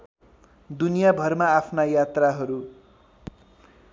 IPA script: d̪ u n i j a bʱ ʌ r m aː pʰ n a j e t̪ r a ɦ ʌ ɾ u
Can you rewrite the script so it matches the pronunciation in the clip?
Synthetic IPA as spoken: d̪ u n i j a bʱ ʌ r m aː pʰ n a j a t̪ r a ɦ ʌ ɾ u